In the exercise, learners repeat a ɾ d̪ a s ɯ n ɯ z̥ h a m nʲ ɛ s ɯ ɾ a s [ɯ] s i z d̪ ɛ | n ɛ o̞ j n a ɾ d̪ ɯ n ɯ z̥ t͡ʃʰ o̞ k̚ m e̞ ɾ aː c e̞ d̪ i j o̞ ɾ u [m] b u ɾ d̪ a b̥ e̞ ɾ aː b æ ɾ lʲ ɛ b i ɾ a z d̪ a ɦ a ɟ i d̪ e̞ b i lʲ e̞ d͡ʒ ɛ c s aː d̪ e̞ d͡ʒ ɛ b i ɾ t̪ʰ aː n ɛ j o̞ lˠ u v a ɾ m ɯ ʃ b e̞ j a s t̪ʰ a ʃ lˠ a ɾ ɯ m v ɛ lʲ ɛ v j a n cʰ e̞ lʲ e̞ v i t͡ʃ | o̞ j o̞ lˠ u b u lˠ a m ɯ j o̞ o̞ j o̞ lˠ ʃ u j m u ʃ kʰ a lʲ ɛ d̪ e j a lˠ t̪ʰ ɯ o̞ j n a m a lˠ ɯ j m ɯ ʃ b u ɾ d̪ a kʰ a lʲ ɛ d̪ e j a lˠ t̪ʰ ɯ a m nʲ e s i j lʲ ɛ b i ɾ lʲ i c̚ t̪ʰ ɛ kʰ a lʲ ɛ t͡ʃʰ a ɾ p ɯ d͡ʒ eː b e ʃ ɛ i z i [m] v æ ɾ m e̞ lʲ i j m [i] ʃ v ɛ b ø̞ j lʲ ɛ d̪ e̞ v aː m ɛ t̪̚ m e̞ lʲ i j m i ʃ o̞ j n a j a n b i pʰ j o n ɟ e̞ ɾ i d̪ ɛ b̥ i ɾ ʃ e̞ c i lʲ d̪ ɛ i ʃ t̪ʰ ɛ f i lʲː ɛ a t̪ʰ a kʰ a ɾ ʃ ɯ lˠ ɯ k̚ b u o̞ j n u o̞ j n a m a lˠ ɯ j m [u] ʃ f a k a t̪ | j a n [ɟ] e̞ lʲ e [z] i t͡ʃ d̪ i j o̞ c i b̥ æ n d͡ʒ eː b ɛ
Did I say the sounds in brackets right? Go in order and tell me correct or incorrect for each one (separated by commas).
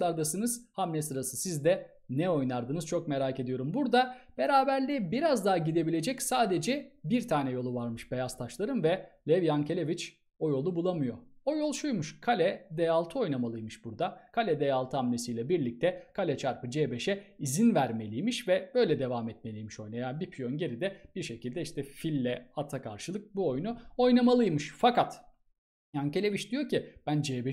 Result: correct, correct, incorrect, correct, incorrect, incorrect, incorrect